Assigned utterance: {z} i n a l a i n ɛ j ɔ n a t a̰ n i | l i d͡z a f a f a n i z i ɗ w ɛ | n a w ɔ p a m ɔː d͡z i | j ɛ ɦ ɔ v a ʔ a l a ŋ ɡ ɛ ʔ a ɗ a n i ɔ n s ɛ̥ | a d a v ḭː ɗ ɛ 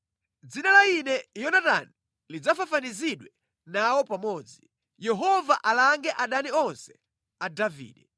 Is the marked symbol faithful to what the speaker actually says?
no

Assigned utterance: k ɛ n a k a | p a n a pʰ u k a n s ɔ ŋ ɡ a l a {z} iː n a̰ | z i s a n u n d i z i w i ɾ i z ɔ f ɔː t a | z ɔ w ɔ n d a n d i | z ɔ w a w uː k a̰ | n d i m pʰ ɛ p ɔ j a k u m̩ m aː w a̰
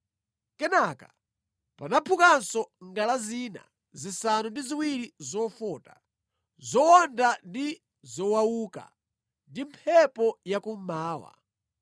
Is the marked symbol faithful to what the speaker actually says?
yes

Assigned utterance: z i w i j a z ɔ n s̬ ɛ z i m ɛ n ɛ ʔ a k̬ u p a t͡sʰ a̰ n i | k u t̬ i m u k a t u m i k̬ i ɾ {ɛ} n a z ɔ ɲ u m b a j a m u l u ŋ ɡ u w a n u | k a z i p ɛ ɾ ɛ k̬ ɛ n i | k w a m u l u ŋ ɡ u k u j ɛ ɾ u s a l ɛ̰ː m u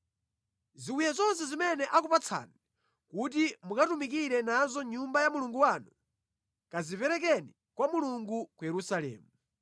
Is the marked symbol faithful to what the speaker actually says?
yes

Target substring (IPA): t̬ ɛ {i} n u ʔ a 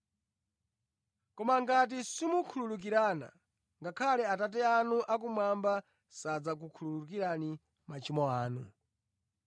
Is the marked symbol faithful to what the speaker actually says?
no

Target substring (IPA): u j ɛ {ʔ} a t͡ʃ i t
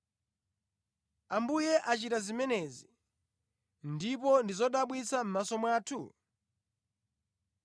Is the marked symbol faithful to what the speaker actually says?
yes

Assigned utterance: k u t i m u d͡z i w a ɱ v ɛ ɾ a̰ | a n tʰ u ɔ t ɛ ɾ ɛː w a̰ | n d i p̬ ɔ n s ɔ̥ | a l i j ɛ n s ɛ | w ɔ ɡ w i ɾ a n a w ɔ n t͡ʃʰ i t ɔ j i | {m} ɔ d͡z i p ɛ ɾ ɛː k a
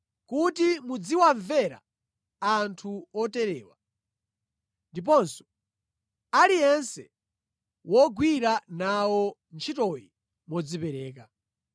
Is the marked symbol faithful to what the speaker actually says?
yes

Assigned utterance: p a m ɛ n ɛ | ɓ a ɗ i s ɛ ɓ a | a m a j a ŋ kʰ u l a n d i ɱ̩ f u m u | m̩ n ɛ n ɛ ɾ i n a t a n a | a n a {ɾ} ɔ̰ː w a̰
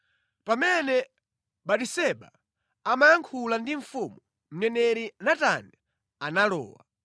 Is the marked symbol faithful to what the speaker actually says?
no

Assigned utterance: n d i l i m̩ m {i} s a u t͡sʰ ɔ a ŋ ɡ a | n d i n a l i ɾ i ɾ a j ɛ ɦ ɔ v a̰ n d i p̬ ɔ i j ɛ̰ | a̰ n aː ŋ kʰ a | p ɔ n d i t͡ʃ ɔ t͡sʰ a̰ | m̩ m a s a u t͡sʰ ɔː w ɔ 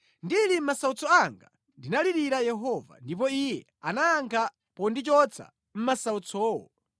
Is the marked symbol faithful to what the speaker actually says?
no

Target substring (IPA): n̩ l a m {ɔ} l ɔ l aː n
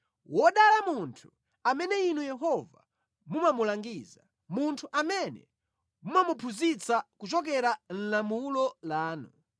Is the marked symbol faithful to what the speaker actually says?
no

